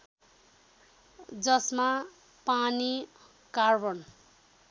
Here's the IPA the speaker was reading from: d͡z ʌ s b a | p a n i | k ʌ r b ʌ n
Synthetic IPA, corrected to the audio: d͡z ʌ s m a | p a n i | k a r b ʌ n